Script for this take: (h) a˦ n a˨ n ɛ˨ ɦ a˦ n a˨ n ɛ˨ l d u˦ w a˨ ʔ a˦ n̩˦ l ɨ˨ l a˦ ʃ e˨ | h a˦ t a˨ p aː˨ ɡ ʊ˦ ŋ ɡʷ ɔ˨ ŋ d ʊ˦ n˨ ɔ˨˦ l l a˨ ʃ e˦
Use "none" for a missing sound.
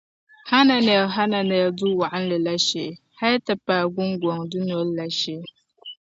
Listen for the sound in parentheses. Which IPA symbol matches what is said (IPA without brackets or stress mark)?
h